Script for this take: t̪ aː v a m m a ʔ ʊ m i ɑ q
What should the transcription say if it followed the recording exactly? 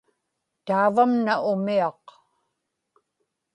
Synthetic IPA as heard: t̪ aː v a m n a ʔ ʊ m i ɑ q